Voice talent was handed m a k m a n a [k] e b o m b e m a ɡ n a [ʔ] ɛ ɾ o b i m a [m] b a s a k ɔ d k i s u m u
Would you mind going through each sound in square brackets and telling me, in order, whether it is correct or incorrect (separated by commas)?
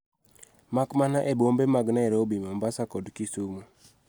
incorrect, incorrect, correct